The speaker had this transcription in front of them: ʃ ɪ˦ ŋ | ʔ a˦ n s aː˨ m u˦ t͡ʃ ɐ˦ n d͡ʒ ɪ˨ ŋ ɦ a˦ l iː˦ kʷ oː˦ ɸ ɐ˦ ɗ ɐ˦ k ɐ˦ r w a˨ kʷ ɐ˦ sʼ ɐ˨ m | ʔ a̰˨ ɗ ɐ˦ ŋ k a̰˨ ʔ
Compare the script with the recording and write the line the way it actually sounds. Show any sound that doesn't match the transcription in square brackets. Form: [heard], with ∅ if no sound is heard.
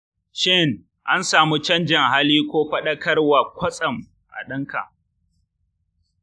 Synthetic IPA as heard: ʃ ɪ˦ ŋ | ʔ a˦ n s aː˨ m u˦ t͡ʃ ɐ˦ n d͡ʒ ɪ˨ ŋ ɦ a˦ l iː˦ kʷ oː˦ ɸ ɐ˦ ɗ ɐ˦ k ɐ˦ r w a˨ kʷ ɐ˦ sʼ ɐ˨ m | ʔ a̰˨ ɗ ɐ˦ ŋ k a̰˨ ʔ